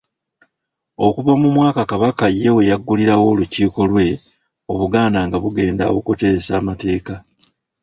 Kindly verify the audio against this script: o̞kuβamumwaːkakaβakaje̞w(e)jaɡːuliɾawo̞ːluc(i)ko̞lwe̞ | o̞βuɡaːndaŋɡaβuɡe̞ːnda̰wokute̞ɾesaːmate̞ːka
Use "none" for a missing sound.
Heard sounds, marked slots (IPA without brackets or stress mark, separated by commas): e, iː